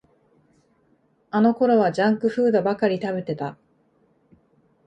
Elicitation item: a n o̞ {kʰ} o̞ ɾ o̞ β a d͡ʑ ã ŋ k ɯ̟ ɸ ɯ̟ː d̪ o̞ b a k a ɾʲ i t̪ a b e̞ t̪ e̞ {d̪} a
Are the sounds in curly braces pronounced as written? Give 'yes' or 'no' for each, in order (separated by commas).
no, no